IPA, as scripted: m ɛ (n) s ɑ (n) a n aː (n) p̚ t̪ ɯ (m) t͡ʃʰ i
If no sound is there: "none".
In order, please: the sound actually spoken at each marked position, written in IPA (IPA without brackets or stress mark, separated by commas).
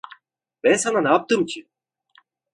n, n, none, m